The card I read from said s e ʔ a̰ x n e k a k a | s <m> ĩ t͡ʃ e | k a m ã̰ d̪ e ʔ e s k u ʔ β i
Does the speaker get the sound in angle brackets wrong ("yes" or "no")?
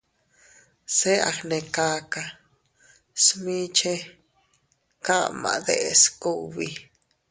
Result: no